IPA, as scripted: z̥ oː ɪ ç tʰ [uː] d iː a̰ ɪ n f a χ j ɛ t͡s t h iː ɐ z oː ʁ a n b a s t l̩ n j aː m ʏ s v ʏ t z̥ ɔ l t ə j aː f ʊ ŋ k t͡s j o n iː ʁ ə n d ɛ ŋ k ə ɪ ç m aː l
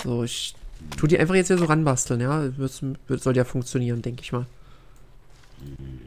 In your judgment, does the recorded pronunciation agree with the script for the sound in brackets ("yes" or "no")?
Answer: yes